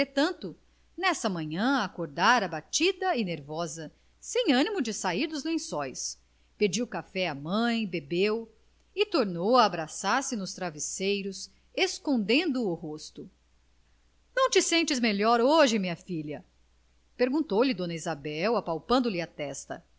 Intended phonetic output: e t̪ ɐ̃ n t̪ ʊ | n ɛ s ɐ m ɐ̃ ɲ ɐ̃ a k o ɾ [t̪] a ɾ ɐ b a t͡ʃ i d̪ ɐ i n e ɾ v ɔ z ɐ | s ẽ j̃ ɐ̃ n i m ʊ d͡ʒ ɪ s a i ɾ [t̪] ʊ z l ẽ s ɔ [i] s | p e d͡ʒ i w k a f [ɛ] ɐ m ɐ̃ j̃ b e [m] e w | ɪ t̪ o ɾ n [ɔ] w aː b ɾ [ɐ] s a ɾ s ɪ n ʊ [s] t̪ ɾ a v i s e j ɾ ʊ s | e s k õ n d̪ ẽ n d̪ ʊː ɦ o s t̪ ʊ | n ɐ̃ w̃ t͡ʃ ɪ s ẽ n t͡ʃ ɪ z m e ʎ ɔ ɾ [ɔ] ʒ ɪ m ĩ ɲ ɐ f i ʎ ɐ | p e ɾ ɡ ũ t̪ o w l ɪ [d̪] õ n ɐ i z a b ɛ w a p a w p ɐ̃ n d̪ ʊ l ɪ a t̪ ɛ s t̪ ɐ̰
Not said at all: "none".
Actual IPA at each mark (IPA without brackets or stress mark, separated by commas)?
d̪, d̪, j, ɛ, b, o, a, s, o, d̪